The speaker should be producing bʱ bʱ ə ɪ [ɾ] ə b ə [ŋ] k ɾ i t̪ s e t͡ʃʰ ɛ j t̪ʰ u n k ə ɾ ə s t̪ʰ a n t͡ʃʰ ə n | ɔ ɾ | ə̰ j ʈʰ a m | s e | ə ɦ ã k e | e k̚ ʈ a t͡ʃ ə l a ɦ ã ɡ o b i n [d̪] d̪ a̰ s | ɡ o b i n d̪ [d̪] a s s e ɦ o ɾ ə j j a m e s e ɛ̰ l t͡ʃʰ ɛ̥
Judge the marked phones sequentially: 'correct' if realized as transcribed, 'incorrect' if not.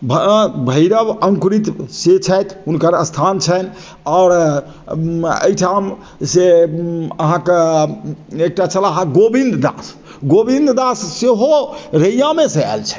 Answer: correct, correct, correct, correct

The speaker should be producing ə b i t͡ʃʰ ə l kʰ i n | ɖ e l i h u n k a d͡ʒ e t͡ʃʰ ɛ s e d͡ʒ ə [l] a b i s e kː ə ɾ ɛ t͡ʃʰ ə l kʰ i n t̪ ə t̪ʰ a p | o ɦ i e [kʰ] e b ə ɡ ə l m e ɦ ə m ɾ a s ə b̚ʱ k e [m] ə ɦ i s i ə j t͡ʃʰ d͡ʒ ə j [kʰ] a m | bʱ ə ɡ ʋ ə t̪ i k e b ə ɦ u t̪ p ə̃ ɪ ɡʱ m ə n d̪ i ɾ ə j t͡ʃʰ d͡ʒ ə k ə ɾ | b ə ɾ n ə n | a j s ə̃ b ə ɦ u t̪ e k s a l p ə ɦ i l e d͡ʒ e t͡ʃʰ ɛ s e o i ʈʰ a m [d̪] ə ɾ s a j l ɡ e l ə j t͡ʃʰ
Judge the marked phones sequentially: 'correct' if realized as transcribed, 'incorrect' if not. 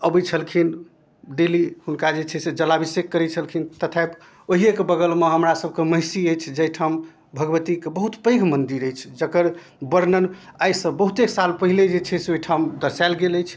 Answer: correct, incorrect: k, correct, incorrect: ʈʰ, correct

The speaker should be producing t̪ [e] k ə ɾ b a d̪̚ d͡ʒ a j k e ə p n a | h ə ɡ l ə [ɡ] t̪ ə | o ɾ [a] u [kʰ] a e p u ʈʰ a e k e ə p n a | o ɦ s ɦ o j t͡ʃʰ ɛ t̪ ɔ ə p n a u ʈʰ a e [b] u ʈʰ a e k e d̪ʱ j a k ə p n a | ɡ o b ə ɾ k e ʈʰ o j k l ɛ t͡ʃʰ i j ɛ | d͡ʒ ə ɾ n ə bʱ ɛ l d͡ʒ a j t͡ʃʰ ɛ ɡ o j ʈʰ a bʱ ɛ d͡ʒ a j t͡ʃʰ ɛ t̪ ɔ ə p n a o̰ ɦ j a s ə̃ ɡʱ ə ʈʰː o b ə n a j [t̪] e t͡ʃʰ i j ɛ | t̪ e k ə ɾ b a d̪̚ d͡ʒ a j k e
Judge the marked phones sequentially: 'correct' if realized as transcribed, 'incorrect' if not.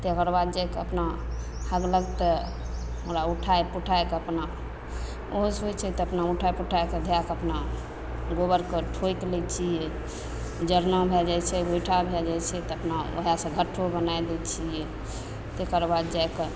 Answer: correct, correct, correct, incorrect: ʈʰ, incorrect: p, incorrect: d̪

